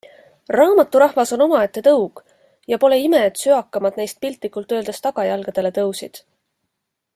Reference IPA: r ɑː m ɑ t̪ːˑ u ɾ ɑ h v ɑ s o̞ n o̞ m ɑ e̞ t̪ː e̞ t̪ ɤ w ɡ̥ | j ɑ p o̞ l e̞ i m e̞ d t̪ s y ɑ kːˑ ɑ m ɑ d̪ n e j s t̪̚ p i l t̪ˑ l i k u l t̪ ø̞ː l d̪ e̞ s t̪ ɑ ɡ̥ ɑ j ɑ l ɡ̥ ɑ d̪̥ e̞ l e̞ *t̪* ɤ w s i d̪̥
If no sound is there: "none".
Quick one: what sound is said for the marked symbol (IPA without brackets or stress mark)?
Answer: t̪